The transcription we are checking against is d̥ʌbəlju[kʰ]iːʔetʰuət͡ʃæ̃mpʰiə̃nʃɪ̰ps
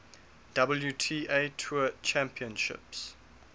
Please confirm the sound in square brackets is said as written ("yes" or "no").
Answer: no